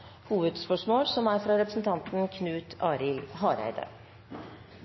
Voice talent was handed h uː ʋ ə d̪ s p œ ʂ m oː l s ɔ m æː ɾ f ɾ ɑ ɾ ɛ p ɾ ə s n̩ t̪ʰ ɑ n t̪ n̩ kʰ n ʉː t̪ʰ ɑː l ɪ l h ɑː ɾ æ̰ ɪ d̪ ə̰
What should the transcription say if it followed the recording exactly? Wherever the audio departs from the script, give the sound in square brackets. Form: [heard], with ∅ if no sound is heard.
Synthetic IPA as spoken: h uː ʋ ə d̪ s p œ ʂ m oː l s ɔ m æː ɾ f ɾ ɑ ɾ ɛ p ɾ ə s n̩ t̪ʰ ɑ n t̪ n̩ kʰ n ʉː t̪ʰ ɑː [ɾ] ɪ l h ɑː ɾ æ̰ ɪ d̪ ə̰

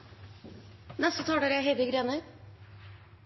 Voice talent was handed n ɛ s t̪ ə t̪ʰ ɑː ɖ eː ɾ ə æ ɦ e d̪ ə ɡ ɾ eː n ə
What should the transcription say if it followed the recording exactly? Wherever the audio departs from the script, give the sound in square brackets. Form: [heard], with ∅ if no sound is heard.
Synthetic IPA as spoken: n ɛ s t̪ ə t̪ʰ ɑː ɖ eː ɾ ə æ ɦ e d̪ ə ɡ ɾ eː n ə

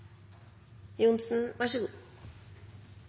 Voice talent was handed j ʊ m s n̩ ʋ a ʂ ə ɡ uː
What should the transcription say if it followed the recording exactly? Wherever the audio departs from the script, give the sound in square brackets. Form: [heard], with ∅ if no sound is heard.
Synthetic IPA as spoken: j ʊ [n] s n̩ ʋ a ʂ ə ɡ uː

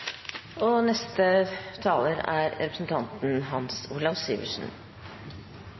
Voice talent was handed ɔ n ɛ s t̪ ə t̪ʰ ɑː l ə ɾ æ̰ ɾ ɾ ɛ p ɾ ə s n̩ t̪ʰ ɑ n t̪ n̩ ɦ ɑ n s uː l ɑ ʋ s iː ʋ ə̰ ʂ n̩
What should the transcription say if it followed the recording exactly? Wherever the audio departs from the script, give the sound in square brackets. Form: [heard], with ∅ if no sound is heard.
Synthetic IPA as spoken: ɔ n ɛ s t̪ ə t̪ʰ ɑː l ə ɾ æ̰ ɾ ɾ ɛ p ɾ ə s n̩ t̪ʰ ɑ n t̪ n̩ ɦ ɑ n s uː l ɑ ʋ s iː ʋ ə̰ ʂ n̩

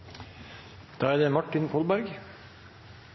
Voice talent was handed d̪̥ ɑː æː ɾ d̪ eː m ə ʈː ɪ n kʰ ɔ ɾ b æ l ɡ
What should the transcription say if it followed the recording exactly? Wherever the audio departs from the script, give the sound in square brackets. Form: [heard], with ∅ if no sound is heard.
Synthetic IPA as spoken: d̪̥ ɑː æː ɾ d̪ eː m [ɑ] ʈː ɪ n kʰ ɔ [l] b æ [ɾ] ɡ

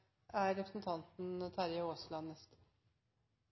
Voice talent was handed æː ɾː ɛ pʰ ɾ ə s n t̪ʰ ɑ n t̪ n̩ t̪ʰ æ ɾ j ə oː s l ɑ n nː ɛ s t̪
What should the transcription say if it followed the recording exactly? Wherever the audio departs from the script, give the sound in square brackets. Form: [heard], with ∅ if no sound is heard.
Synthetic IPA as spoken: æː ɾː ɛ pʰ ɾ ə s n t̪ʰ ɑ n t̪ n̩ t̪ʰ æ ɾ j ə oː s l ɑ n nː ɛ s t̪

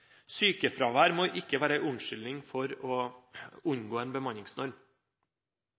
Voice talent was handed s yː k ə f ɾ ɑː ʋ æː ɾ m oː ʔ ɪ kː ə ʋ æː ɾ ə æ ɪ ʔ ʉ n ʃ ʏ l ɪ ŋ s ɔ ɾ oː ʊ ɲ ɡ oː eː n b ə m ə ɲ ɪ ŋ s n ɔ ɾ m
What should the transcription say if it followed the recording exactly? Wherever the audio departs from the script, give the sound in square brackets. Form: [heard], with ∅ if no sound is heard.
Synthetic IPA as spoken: s yː k ə f ɾ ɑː ʋ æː ɾ m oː ʔ ɪ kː ə ʋ æː ɾ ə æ ɪ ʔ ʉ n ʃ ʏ l ɪ ŋ [f] ɔ ɾ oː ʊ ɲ ɡ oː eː n b ə m [ɑ] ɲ ɪ ŋ s n ɔ ɾ m

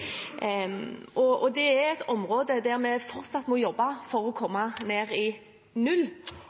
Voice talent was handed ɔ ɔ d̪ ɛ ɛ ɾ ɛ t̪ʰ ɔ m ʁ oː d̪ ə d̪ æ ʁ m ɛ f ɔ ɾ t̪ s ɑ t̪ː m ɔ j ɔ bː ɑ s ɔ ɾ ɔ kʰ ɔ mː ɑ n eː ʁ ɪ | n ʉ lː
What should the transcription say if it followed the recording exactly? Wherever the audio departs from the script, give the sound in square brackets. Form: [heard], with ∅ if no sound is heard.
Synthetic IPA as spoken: ɔ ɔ d̪ ɛ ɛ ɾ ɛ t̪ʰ ɔ m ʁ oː d̪ ə d̪ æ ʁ m ɛ f ɔ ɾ t̪ s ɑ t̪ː m ɔ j ɔ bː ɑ [f] ɔ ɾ ɔ kʰ ɔ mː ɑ n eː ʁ ɪ | n ʉ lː

